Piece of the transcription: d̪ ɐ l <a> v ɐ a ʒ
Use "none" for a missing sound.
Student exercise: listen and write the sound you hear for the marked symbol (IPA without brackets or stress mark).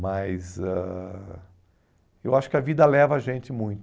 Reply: ɛ